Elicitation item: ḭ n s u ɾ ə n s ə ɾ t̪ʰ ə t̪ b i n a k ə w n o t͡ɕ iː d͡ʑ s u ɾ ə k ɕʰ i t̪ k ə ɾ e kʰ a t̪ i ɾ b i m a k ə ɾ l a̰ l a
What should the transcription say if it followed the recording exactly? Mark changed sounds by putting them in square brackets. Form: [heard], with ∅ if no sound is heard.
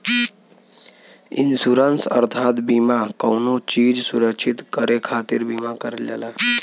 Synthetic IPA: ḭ n s u ɾ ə n s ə ɾ t̪ʰ [a] t̪ b i [m] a k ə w n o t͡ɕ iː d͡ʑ s u ɾ ə k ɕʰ i t̪ k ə ɾ e kʰ a t̪ i ɾ b i m a k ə ɾ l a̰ l a

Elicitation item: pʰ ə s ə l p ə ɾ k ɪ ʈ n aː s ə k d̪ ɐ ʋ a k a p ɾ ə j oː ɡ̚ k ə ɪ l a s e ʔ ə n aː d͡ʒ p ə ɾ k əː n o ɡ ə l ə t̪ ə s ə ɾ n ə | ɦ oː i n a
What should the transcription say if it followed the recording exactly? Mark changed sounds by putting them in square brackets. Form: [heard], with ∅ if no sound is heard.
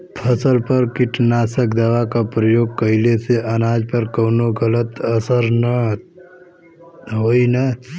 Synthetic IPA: pʰ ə s ə l p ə ɾ k ɪ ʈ n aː s ə k d̪ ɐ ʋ a k a p ɾ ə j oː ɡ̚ k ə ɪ l [e] s e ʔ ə n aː d͡ʒ p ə ɾ k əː n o ɡ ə l ə t̪ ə s ə ɾ n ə | ɦ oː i n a

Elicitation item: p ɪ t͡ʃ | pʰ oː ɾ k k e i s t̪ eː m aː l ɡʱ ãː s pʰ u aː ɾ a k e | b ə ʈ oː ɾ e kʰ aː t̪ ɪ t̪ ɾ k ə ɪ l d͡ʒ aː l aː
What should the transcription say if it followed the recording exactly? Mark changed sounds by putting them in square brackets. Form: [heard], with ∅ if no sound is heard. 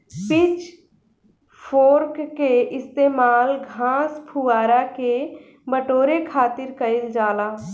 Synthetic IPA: p ɪ t͡ʃ | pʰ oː ɾ k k e [ɪ] s t̪ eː m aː l ɡʱ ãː s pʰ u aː ɾ a k e | b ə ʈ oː ɾ e kʰ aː t̪ ɪ [∅] ɾ k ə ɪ l d͡ʒ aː l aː

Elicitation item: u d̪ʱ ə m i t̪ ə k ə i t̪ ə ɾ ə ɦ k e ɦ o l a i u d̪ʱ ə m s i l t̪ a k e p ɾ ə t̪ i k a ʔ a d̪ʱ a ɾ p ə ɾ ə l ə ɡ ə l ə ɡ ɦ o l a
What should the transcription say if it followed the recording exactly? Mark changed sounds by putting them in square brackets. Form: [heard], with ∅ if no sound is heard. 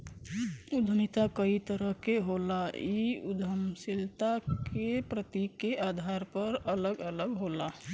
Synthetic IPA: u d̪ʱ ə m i t̪ [a] k ə i t̪ ə ɾ ə ɦ k e ɦ o l a i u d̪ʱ ə m s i l t̪ a k e p ɾ ə t̪ i k [e] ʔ a d̪ʱ a ɾ p ə ɾ ə l ə ɡ ə l ə ɡ ɦ o l a

